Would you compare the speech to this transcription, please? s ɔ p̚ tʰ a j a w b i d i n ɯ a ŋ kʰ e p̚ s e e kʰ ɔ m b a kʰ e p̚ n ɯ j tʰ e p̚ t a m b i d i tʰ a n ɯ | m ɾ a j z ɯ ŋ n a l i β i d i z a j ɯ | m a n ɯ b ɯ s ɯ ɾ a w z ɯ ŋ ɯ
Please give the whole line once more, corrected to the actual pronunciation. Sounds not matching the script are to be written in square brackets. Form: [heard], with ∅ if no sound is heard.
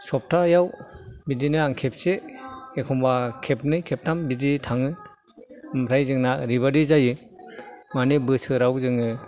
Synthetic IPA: s ɔ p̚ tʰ a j a w b i d i n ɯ a ŋ kʰ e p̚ s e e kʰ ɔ m b a kʰ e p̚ n ɯ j [kʰ] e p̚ t a m b i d i tʰ a [ŋ] ɯ | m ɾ a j z ɯ ŋ n a [ɾ] i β [a] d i z a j ɯ | m a n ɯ b ɯ s ɯ ɾ a w z ɯ ŋ ɯ